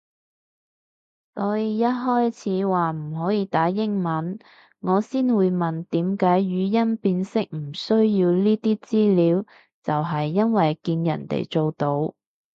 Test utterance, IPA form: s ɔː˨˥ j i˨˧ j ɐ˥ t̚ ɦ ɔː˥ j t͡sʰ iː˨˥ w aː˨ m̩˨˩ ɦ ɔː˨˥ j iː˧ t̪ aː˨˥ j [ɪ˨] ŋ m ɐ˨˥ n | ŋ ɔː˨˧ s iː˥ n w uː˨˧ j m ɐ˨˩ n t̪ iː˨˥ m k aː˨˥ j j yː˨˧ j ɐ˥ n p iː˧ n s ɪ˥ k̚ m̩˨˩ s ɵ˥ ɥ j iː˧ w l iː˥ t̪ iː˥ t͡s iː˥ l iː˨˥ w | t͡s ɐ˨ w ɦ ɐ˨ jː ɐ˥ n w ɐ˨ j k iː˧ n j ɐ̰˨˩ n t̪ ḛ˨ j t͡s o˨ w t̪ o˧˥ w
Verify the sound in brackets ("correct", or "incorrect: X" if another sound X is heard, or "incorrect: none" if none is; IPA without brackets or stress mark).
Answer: incorrect: ɪ˥